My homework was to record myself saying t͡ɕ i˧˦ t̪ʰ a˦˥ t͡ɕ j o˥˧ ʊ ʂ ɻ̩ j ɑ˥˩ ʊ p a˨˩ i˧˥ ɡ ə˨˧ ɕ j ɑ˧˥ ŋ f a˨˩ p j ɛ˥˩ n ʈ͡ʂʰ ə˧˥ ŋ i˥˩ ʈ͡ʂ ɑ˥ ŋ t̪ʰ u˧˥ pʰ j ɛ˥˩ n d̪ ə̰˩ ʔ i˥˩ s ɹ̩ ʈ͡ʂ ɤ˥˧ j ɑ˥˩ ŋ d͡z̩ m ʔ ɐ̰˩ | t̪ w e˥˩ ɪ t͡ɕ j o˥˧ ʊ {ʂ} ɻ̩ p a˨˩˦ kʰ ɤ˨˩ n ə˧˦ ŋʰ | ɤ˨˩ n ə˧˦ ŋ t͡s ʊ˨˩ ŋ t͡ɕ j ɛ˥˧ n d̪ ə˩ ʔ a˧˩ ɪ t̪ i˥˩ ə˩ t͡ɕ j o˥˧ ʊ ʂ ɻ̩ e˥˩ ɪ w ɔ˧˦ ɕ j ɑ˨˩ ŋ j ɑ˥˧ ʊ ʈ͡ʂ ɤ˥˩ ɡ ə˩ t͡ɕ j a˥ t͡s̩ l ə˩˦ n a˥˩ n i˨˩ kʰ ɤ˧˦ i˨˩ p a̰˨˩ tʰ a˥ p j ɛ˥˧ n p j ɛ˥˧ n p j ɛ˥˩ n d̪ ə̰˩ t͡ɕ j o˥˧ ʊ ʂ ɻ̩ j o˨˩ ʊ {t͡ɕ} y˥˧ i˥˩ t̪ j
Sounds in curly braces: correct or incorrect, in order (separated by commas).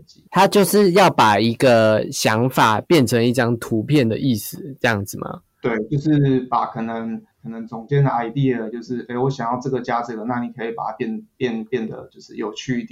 correct, incorrect